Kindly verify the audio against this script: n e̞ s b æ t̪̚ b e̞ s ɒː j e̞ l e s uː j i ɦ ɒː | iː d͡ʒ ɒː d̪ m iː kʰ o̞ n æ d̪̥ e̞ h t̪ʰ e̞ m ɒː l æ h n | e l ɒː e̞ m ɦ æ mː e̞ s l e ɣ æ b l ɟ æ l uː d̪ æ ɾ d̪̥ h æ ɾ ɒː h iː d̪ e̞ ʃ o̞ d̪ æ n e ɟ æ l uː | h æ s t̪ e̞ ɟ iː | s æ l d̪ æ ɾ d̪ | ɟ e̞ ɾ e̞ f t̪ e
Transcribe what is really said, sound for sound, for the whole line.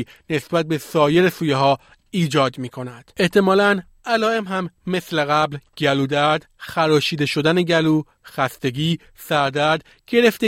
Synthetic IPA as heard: n e̞ s b æ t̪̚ b e̞ s ɒː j e̞ ɾ e s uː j e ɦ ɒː | iː d͡ʒ ɒː d̪ m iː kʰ o̞ n æ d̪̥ e̞ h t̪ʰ e̞ m ɒː l æ n | æ l ɒː e̞ m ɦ æ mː e̞ s l e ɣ æ b l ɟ æ l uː d̪ æ ɾ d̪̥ x æ ɾ ɒː ʃ iː d̪ e̞ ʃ o̞ d̪ æ n e ɟ æ l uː | x æ s t̪ e̞ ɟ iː | s æ ɾ d̪ æ ɾ d̪ | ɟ e̞ ɾ e̞ f t̪ e